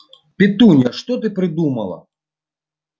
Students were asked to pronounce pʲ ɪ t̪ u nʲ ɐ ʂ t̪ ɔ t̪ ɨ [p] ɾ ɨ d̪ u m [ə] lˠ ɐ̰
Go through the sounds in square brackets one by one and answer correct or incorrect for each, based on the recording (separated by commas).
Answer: correct, incorrect